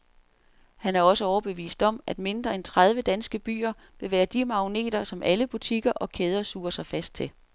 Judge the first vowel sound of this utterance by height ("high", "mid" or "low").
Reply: low